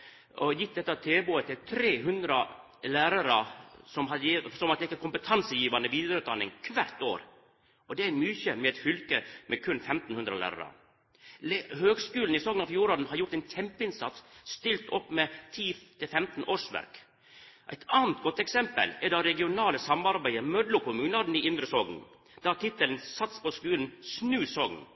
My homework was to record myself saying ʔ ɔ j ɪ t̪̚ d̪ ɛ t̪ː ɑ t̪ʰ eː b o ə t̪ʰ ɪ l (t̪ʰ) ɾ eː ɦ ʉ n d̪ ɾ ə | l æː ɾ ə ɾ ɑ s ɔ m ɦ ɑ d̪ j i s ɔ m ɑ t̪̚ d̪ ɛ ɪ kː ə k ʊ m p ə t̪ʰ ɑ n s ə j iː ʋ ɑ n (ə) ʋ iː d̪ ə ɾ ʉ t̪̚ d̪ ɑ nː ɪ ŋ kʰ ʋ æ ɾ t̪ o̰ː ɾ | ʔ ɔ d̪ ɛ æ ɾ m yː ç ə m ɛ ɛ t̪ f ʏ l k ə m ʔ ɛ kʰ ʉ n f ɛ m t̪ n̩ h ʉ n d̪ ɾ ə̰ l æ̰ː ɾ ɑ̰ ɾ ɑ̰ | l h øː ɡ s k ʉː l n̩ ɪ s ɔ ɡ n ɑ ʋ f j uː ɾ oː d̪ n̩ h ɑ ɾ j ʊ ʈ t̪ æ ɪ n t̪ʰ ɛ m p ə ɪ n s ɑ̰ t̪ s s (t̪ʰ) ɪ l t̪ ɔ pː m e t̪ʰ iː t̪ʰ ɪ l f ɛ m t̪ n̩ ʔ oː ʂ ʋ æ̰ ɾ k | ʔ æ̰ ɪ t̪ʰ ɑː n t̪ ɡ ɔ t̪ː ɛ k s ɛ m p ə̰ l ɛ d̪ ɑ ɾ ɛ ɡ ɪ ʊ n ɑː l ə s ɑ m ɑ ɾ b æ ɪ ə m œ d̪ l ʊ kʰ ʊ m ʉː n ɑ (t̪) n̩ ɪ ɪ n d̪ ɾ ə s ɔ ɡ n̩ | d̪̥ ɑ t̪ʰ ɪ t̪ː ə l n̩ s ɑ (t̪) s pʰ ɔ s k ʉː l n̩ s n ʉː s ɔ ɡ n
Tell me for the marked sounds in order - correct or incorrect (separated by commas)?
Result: correct, correct, incorrect, incorrect, correct